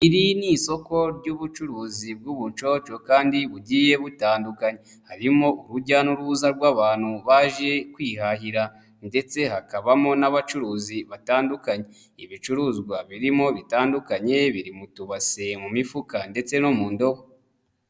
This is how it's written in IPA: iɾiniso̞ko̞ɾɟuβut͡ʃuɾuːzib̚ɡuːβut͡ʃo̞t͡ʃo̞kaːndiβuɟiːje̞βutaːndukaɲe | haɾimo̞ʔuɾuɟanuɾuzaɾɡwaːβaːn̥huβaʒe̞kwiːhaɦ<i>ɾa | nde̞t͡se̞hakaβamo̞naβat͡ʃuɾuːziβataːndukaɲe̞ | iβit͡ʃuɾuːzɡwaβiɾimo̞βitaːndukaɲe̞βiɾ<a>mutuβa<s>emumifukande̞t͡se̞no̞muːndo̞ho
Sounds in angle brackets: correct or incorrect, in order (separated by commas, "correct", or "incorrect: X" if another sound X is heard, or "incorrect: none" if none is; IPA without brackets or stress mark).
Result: correct, incorrect: i, correct